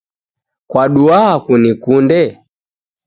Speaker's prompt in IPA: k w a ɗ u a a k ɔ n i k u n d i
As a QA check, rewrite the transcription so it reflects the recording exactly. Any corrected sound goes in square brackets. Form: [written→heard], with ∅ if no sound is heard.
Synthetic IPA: k w a ɗ u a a k [ɔ→u] n i k u n d [i→ɛ]

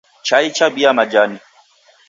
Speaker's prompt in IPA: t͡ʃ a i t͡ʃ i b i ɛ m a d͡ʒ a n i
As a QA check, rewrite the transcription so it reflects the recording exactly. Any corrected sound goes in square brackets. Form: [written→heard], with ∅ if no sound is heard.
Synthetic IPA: t͡ʃ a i t͡ʃ [i→a] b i [ɛ→a] m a d͡ʒ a n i

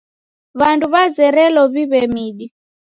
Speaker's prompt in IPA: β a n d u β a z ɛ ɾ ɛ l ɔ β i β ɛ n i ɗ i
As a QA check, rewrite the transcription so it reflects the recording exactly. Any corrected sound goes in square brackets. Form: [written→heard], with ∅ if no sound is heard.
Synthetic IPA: β a n d u β a z ɛ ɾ ɛ l ɔ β i β ɛ [n→m] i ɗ i

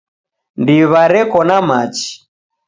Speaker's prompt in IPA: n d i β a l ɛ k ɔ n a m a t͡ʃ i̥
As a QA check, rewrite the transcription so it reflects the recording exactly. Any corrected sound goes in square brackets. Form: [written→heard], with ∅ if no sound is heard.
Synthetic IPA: n d i β a [l→ɾ] ɛ k ɔ n a m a t͡ʃ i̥

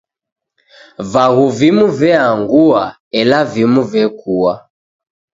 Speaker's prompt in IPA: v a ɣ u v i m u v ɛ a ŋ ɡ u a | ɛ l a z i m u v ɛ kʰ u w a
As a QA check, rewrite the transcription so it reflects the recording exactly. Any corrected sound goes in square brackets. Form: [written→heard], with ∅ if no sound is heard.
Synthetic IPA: v a ɣ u v i m u v ɛ a ŋ ɡ u a | ɛ l a [z→v] i m u v ɛ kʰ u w a

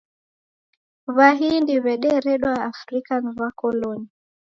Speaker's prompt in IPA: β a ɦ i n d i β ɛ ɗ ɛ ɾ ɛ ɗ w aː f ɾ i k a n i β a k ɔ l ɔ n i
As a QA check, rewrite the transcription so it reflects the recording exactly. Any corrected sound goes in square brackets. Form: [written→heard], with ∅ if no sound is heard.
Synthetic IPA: β a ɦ i n d i β ɛ ɗ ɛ ɾ ɛ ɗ w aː f ɾ i k a n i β a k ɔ l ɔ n i

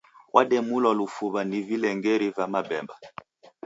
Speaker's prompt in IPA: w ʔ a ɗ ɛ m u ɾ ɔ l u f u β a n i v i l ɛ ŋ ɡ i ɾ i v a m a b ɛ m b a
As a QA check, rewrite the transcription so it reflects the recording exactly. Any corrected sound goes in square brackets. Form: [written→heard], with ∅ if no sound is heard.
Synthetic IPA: w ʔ a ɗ ɛ m u [ɾ→l] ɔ l u f u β a n i v i l ɛ ŋ ɡ [i→ɛ] ɾ i v a m a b ɛ m b a

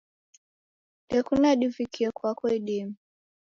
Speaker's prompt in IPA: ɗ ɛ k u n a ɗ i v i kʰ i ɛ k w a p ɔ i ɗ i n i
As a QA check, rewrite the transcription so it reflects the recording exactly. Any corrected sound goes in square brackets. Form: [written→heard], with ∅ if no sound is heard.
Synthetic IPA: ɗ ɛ k u n a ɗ i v i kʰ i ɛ k w a [p→k] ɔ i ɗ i [n→m] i

